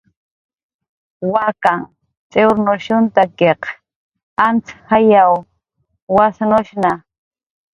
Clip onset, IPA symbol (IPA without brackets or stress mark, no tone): w